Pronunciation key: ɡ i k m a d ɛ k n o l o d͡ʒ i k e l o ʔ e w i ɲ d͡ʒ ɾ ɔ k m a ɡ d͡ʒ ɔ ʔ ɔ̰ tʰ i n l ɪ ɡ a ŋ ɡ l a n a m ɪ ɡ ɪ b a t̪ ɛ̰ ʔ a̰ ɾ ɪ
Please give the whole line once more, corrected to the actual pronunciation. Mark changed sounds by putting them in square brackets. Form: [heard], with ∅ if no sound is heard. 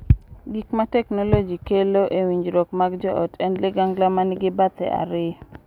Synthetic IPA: ɡ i k m a [t] ɛ k n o l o d͡ʒ i k e l o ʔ e w i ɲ d͡ʒ ɾ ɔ k m a ɡ d͡ʒ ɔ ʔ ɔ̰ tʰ [ɛ] n l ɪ ɡ a ŋ ɡ l a [m] a [n] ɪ ɡ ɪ b a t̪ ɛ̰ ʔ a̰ ɾ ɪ